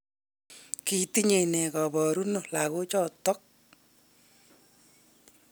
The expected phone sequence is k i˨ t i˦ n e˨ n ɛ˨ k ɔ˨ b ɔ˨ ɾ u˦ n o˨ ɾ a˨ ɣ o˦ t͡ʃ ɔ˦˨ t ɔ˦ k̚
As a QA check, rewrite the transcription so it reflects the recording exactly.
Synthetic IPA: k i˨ t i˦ ɲ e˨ n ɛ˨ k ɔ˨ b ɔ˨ ɾ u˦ n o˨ l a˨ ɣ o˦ t͡ʃ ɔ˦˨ t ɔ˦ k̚